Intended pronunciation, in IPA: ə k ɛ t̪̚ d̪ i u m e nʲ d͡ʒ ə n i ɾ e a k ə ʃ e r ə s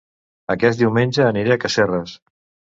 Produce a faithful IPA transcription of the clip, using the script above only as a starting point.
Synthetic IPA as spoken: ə k ɛ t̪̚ d̪ i w m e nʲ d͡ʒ əː n i ɾ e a k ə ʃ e r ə s